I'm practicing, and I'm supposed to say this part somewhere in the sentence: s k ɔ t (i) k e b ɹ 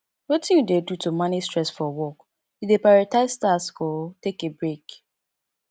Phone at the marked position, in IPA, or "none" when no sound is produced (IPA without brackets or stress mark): e